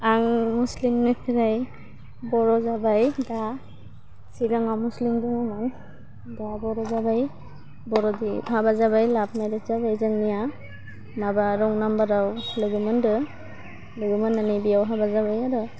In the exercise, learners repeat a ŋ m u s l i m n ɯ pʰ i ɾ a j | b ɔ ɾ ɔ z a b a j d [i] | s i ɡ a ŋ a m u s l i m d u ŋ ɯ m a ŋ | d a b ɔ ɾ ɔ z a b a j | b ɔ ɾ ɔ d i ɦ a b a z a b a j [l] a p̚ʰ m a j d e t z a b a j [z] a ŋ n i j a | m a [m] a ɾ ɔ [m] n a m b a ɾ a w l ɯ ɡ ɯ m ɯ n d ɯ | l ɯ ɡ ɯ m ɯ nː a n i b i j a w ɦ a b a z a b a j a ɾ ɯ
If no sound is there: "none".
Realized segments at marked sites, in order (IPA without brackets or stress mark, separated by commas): a, l, z, b, ŋ